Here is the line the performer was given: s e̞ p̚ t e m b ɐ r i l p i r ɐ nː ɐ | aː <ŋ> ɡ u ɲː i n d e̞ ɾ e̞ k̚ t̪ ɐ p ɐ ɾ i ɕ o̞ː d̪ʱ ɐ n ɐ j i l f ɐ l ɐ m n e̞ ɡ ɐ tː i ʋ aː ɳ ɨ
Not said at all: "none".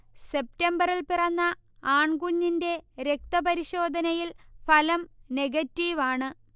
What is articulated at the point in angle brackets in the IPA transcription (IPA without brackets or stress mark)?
ɳ